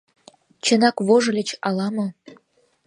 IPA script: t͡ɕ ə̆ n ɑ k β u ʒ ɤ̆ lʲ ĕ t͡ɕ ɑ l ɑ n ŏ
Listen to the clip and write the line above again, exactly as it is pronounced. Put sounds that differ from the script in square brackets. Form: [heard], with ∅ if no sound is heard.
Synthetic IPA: t͡ɕ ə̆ n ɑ k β [o] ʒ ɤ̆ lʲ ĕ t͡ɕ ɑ l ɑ [m] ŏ

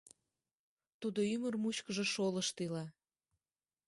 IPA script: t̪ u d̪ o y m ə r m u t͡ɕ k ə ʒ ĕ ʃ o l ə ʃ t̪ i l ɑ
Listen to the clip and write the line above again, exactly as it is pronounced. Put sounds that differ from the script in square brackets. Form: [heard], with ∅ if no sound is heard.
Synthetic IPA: t̪ u d̪ o y m ə r m u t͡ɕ k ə ʒ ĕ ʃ o l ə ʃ t̪ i l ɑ

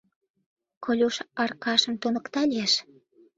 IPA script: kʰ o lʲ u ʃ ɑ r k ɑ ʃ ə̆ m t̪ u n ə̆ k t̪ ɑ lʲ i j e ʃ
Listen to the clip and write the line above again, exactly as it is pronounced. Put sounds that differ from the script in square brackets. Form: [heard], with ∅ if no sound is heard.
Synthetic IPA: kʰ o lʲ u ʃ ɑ r k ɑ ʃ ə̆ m t̪ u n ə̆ k t̪ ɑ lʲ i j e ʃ

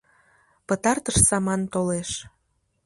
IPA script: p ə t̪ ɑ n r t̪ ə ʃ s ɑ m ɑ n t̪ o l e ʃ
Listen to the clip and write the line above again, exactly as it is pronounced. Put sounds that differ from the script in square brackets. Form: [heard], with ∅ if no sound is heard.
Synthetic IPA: p ə t̪ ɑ [∅] r t̪ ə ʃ s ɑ m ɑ n t̪ o l e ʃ

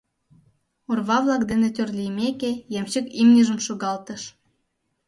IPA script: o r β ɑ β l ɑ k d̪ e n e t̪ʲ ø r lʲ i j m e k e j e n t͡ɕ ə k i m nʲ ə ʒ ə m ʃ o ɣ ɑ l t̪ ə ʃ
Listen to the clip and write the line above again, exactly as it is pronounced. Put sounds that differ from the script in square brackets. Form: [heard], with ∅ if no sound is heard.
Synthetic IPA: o r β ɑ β l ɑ k d̪ e n e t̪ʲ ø r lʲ i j m e k e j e [m] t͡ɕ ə k i m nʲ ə ʒ ə m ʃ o ɣ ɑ l t̪ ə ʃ

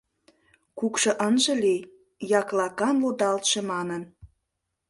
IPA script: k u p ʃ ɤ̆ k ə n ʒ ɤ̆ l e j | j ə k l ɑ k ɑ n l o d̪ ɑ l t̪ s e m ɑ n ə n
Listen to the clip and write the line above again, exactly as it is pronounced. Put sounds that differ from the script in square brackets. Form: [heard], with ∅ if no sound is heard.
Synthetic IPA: k u [k] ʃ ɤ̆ [ʔ] ə n ʒ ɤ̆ l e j | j [ɑ] k l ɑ k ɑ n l o d̪ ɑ l t̪ [ʃ] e m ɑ n ə n

